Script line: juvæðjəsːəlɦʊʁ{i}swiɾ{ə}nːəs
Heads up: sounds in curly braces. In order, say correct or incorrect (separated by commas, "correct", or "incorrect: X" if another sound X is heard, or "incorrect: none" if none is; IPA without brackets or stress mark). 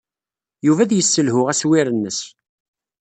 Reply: incorrect: æ, correct